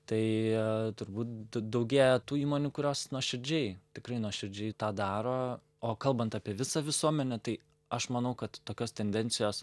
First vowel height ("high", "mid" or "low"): low